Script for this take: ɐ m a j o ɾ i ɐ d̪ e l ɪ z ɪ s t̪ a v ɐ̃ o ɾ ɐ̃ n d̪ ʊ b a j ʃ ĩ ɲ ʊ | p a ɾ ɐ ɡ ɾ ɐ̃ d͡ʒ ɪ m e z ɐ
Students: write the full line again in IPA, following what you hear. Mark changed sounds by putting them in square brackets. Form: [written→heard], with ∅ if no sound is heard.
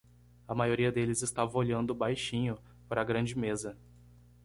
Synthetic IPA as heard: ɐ m a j o ɾ i ɐ d̪ e l ɪ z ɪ s t̪ a v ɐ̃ o [ɾ→ʎ] ɐ̃ n d̪ ʊ b a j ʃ ĩ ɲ ʊ | p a ɾ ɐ ɡ ɾ ɐ̃ d͡ʒ ɪ m e z ɐ